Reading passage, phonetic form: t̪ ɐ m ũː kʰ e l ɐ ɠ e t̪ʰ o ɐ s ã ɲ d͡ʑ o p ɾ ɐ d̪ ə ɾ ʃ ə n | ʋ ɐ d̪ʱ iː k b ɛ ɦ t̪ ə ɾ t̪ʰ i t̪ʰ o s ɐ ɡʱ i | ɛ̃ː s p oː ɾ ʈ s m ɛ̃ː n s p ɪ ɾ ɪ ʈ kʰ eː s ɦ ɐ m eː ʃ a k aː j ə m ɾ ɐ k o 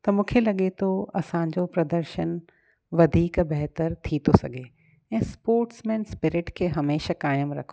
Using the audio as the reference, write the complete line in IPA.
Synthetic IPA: t̪ ɐ m ũː kʰ e l ɐ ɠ e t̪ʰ o ɐ s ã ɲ d͡ʑ o p ɾ ɐ d̪ ə ɾ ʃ ə n | ʋ ɐ d̪ʱ iː k b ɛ ɦ t̪ ə ɾ t̪ʰ i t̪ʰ o s ɐ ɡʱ e | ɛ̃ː s p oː ɾ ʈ s m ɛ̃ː n s p ɪ ɾ ɪ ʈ kʰ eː ɦ ɐ m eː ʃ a k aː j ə m ɾ ɐ kʰ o